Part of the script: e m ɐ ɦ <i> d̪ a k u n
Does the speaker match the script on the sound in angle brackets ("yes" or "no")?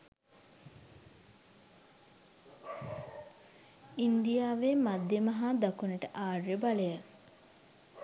no